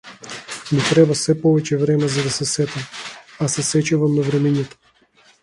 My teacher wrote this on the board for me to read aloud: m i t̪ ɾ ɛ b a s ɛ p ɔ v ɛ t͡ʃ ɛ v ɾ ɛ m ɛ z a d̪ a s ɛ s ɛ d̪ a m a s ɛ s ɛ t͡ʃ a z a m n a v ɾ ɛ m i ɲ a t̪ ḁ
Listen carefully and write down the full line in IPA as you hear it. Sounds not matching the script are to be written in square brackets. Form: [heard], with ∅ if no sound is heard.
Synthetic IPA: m i t̪ ɾ ɛ b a s ɛ p ɔ v ɛ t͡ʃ ɛ v ɾ ɛ m ɛ z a d̪ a s ɛ s ɛ [t̪] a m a s ɛ s ɛ t͡ʃ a [v] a m n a v ɾ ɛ m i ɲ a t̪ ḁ